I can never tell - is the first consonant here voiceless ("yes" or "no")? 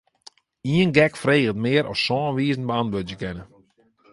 no